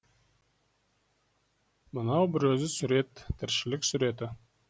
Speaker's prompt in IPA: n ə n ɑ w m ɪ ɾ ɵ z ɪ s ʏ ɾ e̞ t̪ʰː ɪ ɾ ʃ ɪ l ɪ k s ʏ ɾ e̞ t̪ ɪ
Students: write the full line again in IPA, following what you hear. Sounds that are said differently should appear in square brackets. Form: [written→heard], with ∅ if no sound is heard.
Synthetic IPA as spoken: [n→m] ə n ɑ w [m→b] ɪ ɾ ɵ z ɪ s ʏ ɾ e̞ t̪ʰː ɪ ɾ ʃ ɪ l ɪ k s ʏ ɾ e̞ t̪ ɪ